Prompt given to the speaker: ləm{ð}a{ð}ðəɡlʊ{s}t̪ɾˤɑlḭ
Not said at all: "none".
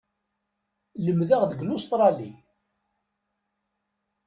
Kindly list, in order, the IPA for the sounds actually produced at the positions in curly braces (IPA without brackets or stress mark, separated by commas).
ð, ʁ, s